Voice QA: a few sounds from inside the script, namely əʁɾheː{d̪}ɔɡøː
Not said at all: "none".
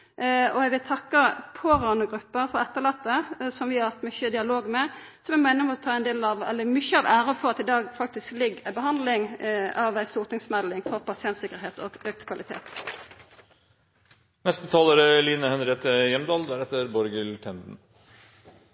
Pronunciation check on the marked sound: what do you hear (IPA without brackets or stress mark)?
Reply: t̪